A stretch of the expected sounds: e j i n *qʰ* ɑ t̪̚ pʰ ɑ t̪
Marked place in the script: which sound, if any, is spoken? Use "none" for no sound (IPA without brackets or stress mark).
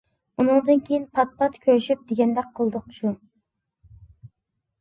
pʰ